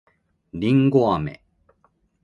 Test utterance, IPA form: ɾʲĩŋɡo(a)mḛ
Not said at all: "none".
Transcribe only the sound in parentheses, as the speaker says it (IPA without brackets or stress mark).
a